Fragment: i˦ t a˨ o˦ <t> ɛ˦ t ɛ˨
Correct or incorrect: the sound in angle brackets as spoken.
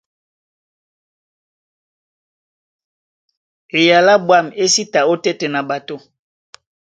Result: correct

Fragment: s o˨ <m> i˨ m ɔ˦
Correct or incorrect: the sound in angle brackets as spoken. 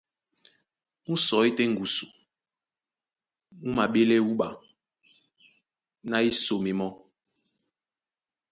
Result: correct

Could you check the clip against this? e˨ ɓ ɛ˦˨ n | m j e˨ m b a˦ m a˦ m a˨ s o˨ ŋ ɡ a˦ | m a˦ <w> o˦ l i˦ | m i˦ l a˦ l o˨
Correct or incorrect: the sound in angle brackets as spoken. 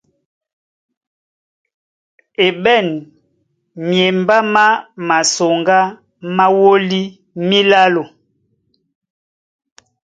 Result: correct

